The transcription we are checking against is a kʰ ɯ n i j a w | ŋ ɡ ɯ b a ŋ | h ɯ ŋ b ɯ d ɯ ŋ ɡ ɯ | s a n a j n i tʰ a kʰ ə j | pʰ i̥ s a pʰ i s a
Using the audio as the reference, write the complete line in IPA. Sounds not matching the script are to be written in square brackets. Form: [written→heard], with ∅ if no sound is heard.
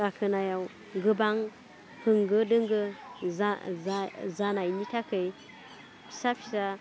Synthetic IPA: a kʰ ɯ n [i→a] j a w | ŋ ɡ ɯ b a ŋ | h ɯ ŋ [b→ɡ] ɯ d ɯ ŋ ɡ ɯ | [s→z] a n a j n i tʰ a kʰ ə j | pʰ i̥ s a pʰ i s a